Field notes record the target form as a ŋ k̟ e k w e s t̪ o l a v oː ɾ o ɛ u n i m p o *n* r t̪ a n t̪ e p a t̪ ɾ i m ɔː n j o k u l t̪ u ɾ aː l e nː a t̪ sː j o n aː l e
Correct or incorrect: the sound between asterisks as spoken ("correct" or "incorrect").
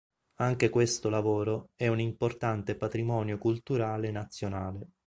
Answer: incorrect